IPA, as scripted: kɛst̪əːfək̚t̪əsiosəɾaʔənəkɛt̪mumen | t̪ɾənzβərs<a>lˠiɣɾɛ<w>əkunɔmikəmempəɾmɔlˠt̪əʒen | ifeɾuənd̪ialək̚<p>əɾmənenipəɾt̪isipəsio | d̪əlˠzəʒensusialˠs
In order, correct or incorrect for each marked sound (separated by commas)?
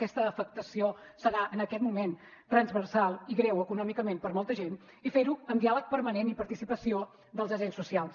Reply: correct, correct, correct